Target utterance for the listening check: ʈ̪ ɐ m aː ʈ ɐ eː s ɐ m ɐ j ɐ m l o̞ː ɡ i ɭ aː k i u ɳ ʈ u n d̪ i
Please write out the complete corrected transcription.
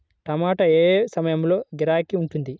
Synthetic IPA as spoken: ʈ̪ ɐ m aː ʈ ɐ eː s ɐ m ɐ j ɐ m l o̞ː ɡ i ɾ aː k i u ɳ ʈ u n d̪ i